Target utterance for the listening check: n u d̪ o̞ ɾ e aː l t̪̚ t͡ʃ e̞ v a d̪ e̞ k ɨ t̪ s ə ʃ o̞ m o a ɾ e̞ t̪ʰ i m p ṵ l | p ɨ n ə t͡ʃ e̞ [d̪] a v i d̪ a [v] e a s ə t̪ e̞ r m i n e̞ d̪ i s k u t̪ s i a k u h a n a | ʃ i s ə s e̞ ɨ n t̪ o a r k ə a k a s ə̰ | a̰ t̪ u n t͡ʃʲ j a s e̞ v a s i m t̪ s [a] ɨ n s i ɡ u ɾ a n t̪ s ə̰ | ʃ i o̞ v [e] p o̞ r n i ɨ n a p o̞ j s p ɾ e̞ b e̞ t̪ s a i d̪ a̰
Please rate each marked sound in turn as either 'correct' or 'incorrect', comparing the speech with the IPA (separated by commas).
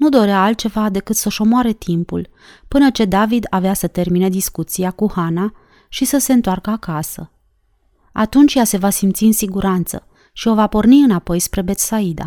correct, correct, incorrect, incorrect